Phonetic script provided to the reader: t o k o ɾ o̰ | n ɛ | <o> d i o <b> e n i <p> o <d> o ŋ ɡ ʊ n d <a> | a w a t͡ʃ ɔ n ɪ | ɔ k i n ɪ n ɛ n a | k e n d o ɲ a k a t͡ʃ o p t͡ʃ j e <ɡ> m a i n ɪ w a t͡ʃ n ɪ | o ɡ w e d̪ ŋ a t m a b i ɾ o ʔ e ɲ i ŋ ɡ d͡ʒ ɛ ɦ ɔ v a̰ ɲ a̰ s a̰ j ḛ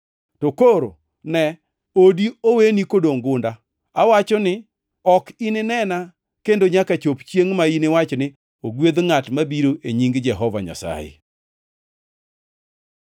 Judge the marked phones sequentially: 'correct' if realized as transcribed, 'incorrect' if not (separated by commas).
correct, incorrect, incorrect, correct, correct, incorrect